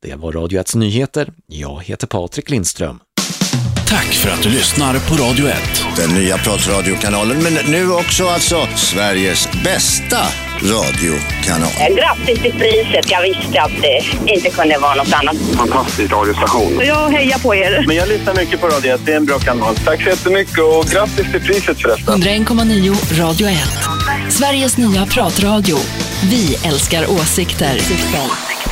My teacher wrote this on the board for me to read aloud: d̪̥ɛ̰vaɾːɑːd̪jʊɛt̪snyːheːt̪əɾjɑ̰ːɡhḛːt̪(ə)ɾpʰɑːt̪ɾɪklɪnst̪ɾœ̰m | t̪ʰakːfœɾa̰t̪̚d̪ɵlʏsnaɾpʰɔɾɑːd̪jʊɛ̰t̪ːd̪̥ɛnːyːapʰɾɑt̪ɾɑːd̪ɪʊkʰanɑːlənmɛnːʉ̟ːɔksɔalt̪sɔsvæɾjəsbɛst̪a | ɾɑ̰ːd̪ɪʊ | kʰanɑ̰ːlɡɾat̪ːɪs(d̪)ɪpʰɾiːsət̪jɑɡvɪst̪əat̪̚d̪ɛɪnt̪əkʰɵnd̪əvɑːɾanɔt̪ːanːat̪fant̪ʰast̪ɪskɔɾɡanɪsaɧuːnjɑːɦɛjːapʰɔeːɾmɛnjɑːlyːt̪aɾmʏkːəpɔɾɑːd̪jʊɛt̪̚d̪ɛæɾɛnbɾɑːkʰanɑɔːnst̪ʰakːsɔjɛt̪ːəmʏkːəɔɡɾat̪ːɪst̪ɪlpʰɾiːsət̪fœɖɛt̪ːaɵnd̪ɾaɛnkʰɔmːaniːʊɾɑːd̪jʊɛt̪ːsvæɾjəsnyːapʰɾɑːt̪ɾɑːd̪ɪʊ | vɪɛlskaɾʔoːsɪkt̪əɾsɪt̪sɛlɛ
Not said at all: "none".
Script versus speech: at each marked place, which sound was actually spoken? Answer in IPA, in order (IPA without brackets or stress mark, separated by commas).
ə, t̪